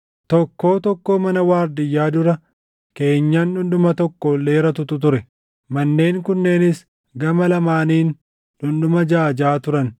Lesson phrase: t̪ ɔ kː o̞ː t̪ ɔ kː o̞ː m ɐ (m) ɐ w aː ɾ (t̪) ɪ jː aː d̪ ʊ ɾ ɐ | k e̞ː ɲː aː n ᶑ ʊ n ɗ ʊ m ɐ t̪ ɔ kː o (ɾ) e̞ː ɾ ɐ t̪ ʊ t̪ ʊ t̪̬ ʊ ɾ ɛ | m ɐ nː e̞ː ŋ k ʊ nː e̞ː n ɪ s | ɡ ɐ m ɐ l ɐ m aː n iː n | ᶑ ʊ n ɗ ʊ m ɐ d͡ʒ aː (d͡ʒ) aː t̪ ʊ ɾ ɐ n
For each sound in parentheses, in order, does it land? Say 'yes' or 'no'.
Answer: no, no, no, yes

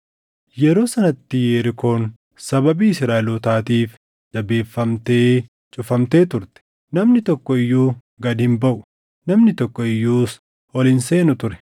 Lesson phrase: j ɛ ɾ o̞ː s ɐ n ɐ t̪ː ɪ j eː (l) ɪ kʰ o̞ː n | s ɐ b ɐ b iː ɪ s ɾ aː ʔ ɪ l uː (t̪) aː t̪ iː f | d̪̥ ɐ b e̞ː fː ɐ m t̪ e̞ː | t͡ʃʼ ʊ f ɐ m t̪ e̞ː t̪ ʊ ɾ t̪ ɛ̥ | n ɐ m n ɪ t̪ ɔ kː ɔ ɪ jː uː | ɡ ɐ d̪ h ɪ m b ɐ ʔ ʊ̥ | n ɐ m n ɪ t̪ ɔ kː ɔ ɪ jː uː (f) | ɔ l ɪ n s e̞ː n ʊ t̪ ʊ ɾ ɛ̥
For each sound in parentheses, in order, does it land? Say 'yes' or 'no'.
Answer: no, yes, no

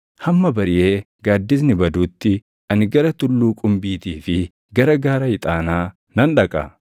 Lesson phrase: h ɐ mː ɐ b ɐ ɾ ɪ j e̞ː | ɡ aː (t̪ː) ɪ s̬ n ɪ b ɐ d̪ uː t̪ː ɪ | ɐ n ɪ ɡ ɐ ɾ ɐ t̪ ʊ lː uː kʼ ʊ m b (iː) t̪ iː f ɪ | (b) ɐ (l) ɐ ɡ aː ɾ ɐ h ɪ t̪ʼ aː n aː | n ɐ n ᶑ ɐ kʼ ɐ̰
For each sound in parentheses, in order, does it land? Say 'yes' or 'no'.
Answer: no, yes, no, no

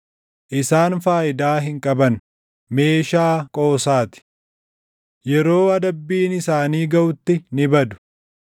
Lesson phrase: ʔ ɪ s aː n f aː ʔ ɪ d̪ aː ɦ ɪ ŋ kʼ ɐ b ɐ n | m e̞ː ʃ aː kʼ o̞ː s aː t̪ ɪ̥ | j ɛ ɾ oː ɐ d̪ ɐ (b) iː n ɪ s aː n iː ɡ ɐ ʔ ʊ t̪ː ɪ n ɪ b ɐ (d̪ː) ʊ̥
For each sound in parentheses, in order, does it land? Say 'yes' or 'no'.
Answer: no, no

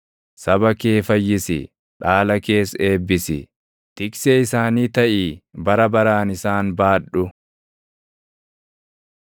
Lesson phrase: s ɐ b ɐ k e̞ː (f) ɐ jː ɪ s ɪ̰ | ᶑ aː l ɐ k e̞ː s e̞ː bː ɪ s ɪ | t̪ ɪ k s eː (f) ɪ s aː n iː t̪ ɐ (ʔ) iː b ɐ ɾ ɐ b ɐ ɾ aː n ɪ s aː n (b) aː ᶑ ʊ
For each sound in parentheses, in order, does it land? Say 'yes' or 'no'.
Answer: yes, no, yes, yes

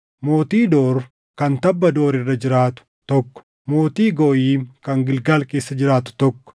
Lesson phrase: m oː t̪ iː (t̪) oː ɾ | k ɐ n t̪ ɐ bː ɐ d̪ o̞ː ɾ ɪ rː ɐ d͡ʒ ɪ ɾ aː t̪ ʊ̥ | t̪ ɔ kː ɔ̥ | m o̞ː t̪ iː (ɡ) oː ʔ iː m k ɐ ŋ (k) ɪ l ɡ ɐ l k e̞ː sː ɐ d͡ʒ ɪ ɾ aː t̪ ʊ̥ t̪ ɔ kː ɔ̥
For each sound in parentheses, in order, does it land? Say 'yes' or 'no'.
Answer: no, yes, no

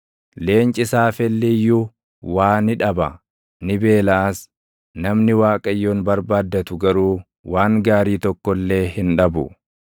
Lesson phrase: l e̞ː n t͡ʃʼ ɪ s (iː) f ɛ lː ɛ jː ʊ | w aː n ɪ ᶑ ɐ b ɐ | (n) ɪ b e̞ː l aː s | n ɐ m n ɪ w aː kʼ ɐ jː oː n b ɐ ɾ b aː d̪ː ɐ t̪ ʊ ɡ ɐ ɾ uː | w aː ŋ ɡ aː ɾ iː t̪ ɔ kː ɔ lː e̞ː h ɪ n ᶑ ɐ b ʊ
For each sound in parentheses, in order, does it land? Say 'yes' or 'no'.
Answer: no, yes

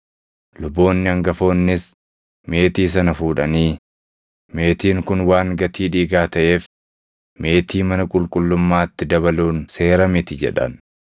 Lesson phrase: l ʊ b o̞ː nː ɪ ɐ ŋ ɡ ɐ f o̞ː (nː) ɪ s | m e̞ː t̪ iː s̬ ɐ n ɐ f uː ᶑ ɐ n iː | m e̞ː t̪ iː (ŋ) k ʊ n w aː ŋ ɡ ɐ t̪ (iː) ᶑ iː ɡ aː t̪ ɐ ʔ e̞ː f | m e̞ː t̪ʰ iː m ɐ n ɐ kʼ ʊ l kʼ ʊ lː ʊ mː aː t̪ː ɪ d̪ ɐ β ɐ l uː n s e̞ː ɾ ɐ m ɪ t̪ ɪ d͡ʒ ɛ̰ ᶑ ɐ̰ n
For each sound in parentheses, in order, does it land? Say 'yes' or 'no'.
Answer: yes, yes, yes

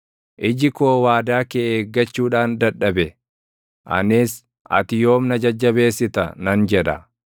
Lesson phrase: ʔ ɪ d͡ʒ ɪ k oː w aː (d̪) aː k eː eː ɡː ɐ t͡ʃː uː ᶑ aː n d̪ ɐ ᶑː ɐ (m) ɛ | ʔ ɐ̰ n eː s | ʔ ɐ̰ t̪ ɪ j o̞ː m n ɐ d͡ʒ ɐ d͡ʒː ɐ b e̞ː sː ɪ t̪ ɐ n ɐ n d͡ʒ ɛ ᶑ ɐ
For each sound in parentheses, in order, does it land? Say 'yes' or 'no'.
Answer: yes, no

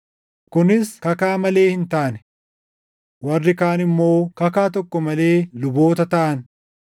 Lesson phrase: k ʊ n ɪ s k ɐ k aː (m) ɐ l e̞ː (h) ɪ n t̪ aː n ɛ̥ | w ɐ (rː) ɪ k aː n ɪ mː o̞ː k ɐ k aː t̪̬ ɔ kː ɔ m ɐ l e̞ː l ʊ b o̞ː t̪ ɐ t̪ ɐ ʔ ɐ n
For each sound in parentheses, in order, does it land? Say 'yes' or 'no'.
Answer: yes, yes, yes

